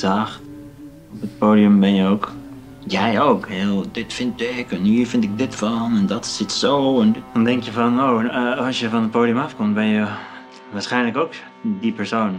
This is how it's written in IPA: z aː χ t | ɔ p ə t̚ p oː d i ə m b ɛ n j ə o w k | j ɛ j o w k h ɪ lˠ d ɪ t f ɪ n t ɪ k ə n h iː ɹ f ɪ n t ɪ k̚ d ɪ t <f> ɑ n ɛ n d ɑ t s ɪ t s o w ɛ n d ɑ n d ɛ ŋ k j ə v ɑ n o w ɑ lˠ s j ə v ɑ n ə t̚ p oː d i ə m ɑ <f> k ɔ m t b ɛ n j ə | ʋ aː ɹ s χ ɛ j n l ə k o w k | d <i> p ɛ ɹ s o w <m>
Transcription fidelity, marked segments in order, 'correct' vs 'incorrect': correct, correct, correct, incorrect

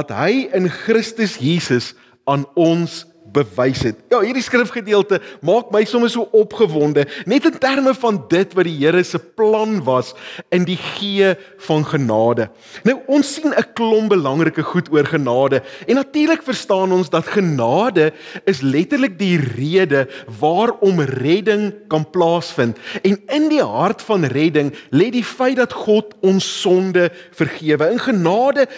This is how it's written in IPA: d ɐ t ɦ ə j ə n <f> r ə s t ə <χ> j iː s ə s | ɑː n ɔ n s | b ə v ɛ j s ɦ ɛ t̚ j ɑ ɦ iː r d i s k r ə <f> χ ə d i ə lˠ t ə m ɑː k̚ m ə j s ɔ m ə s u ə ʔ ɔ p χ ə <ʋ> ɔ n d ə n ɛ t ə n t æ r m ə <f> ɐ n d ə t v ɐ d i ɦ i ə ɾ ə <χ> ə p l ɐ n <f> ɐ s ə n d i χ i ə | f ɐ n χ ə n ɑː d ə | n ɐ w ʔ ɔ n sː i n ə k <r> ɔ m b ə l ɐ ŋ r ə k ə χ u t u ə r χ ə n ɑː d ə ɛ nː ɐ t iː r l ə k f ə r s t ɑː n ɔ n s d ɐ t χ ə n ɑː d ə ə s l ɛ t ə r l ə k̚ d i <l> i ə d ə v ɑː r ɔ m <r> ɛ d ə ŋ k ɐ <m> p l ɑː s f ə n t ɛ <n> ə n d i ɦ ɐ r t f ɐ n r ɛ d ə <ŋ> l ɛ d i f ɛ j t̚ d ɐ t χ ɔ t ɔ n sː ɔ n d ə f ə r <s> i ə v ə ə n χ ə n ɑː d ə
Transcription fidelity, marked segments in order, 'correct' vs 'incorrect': incorrect, incorrect, correct, incorrect, correct, incorrect, incorrect, incorrect, incorrect, correct, incorrect, correct, correct, incorrect

